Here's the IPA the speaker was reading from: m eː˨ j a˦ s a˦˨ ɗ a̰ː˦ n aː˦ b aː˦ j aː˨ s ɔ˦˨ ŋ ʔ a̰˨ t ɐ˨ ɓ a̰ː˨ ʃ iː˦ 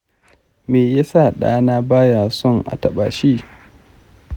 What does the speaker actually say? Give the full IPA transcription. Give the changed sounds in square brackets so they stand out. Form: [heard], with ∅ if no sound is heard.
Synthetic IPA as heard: m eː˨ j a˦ s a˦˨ ɗ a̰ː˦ n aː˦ b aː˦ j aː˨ s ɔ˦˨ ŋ ʔ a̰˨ t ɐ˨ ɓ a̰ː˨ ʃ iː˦